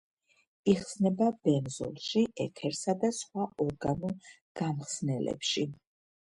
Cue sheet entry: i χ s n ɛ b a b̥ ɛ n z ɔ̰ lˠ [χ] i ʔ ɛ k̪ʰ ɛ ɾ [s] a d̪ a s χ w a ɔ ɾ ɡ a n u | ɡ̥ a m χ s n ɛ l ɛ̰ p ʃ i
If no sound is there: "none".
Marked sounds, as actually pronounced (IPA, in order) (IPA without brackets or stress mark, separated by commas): ʃ, s